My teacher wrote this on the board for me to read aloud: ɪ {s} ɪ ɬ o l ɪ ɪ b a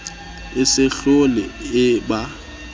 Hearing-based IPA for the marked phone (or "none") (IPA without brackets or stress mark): s